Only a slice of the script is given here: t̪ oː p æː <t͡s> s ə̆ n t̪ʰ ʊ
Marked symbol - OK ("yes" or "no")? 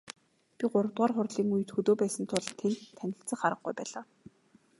no